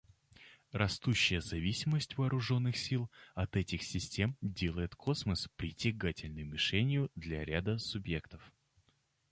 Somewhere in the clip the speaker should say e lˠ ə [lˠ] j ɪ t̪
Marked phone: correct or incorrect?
incorrect